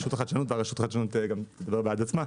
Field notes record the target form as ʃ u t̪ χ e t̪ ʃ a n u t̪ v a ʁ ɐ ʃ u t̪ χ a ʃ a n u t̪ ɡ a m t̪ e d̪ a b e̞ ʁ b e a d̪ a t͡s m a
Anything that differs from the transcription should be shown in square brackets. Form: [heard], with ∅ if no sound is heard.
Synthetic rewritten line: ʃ u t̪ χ [a] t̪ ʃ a n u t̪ v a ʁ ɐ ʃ u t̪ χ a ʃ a n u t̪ ɡ a m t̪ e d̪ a b e̞ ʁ b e a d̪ a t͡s m a